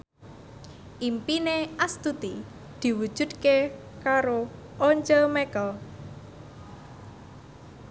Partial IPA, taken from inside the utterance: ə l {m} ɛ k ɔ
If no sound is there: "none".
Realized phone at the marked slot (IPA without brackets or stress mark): m